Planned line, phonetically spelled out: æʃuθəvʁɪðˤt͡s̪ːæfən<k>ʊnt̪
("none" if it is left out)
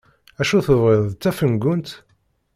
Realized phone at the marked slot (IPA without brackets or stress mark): ɡ